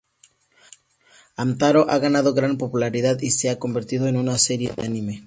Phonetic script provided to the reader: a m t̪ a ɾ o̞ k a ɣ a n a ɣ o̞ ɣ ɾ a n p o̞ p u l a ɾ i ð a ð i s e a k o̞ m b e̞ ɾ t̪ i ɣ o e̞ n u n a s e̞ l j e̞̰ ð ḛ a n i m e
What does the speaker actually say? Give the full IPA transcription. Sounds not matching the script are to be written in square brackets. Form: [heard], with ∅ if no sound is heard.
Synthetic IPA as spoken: a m t̪ a ɾ o̞ [ʔ] a ɣ a n a [ð] o̞ ɣ ɾ a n p o̞ p u l a ɾ i ð a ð i s e a k o̞ m b e̞ ɾ t̪ i [ð] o e̞ n u n a s e̞ [ɾ] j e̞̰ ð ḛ a n i m e